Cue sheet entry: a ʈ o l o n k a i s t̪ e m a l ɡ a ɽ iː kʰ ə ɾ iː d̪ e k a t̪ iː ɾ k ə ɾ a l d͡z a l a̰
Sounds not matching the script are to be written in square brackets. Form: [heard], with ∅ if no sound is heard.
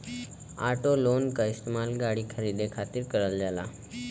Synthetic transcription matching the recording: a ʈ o l o n k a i s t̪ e m a l ɡ a ɽ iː kʰ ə ɾ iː d̪ e [kʰ] a t̪ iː ɾ k ə ɾ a l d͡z a l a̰

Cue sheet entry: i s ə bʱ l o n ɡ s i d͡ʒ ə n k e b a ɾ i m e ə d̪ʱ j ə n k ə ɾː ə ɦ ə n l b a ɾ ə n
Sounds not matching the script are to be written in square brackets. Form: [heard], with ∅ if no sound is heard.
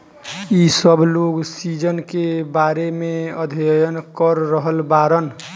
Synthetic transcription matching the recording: i s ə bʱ l o [∅] ɡ s i d͡ʒ ə n k e b a ɾ [e] m e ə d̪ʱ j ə n k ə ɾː ə ɦ ə [∅] l b a ɾ ə n

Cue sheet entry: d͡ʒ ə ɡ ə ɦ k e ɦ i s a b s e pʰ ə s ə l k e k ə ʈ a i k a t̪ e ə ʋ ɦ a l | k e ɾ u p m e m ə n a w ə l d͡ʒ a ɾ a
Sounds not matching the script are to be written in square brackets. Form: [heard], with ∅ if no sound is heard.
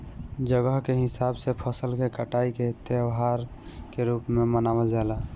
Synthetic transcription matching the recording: d͡ʒ ə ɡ ə ɦ k e ɦ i s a b s e pʰ ə s ə l k e k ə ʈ a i k [e] t̪ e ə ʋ ɦ a [ɾ] | k e ɾ u p m e m ə n a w ə l d͡ʒ a [l] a

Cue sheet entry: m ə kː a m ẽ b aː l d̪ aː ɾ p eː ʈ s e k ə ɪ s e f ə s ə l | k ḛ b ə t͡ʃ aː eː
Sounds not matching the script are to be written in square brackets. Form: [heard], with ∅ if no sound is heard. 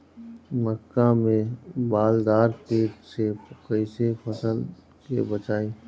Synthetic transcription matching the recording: m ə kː a m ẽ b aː l d̪ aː ɾ p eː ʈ s e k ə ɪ s e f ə s ə l | k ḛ b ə t͡ʃ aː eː

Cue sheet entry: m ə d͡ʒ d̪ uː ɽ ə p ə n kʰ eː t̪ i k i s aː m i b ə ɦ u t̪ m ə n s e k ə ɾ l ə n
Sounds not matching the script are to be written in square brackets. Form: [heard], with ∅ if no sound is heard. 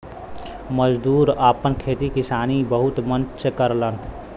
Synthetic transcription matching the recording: m ə d͡ʒ d̪ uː [ɾ] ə p ə n kʰ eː t̪ i k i s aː [n] i b ə ɦ u t̪ m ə n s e k ə ɾ l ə n

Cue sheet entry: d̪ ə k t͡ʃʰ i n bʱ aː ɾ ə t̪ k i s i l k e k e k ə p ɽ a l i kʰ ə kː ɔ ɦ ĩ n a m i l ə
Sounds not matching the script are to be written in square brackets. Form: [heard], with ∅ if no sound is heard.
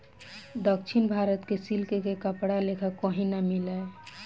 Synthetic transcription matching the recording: d̪ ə k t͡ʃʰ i n bʱ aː ɾ ə t̪ k [e] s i l k e k e k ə p ɽ a l [e] kʰ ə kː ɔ ɦ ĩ n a m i l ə

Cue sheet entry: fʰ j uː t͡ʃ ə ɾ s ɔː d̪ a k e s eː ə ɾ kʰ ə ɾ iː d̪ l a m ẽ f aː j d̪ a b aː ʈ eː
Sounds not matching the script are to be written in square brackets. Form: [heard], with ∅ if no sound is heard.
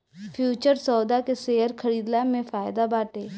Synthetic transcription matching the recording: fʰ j uː t͡ʃ ə ɾ s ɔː d̪ a k e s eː ə ɾ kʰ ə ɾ iː d̪ l a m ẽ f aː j d̪ a b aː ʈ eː

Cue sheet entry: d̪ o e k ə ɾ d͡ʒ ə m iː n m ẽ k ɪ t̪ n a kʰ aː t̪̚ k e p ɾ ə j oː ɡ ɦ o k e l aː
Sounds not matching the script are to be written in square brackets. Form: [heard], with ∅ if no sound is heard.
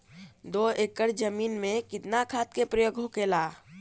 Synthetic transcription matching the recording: d̪ o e k ə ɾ d͡ʒ ə m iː n m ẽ k ɪ t̪ n a kʰ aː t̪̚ k e p ɾ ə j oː ɡ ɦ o k e l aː

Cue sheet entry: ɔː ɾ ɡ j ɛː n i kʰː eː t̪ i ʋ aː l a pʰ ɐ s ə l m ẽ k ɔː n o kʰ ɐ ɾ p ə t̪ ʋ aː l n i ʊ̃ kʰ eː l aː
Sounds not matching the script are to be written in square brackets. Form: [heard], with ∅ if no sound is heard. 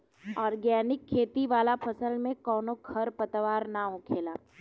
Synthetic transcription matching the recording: ɔː ɾ ɡ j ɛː n [ɪ] kʰː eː t̪ i ʋ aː l a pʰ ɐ s ə l m ẽ k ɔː n o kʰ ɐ ɾ p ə t̪ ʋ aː [ɾ] n [a] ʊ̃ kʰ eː l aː

